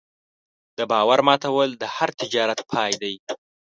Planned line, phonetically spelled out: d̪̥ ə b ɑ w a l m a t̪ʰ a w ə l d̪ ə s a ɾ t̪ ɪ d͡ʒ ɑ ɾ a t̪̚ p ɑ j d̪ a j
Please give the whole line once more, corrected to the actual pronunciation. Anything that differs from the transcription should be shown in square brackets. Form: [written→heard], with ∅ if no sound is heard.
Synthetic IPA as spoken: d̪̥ ə b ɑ w a [l→ɾ] m [a→ɑ] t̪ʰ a w ə l d̪ ə [s→h] a ɾ t̪ ɪ d͡ʒ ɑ ɾ a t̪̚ [p→pʰ] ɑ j d̪ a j